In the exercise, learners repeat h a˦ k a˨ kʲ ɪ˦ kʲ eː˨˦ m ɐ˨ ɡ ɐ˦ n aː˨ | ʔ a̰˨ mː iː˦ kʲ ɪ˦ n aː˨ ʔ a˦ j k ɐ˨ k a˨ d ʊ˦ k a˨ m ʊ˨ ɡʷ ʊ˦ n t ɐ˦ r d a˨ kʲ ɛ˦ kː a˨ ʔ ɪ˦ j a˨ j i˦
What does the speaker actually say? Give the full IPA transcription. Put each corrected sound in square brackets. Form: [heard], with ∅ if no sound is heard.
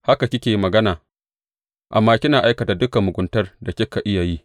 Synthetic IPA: h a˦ k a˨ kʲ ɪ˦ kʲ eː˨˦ m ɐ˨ ɡ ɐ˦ n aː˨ | ʔ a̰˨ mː [aː˦] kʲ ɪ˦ n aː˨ ʔ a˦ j k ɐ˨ [t] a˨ d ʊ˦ k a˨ m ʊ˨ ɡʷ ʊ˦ n t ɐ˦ r d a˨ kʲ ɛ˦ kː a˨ ʔ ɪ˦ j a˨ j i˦